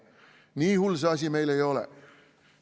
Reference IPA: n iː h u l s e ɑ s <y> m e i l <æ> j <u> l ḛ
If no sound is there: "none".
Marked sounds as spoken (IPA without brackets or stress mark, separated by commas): i, e, o